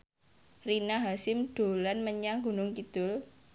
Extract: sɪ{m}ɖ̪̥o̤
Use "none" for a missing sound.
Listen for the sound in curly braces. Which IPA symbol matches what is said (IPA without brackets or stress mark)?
m